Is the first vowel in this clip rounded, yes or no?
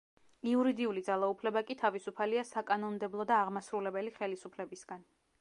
no